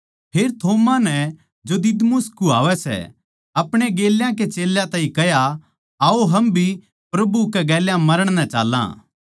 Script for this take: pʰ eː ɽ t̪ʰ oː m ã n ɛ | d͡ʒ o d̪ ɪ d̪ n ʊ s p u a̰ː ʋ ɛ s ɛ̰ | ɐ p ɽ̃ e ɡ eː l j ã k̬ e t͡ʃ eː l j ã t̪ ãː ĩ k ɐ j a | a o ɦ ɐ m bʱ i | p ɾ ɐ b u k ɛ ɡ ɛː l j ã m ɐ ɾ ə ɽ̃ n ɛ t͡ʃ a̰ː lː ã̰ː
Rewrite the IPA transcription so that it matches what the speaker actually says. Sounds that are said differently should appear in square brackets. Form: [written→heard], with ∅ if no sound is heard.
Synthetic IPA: pʰ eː [ɽ→ɾ] t̪ʰ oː m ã n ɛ | d͡ʒ o d̪ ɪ d̪ [n→m] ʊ s [p→k] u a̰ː ʋ ɛ s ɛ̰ | ɐ p ɽ̃ e ɡ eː l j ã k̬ e t͡ʃ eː l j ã t̪ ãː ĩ k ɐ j a | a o ɦ ɐ m bʱ i | p ɾ ɐ b u k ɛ ɡ ɛː l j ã m ɐ ɾ ə ɽ̃ n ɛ t͡ʃ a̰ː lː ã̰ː